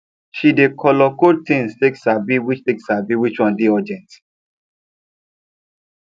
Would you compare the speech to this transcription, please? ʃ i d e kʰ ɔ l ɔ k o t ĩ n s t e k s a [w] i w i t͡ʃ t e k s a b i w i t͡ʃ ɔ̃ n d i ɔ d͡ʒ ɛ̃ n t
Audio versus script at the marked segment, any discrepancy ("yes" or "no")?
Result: yes